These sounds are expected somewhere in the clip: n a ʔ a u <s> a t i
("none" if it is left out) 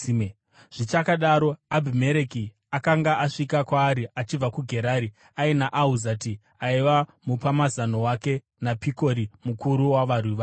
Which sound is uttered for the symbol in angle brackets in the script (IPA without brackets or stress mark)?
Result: z